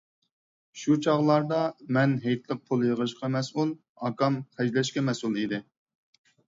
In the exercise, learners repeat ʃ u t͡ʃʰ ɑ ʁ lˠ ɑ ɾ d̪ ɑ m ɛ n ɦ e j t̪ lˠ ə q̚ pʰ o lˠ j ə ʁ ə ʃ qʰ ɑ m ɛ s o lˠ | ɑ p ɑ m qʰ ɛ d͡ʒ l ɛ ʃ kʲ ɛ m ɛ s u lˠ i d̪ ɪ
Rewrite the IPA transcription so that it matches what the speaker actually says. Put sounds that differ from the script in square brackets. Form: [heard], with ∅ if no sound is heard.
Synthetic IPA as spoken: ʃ u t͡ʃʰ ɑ ʁ lˠ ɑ ɾ d̪ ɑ m ɛ n ɦ e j t̪ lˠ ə q̚ pʰ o lˠ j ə ʁ ə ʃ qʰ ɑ m ɛ s [u] lˠ | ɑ [k] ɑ m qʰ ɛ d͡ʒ l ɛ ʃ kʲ ɛ m ɛ s u lˠ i d̪ ɪ